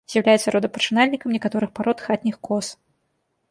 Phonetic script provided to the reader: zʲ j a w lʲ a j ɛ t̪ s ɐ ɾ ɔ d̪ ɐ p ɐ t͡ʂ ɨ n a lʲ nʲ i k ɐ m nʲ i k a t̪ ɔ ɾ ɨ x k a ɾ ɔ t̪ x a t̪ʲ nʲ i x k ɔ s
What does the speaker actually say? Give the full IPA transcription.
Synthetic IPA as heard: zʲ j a w lʲ a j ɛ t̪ s ɐ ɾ ɔ d̪ ɐ p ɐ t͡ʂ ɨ n a lʲ nʲ i k ɐ m nʲ ɛ k a t̪ ɔ ɾ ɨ x p a ɾ ɔ t̪ x a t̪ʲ nʲ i x k ɔ s